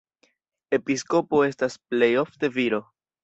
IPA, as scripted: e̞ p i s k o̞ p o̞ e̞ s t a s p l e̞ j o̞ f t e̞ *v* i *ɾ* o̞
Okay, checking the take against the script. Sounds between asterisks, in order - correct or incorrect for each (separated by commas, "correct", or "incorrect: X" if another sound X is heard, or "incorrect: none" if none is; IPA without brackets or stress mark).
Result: correct, correct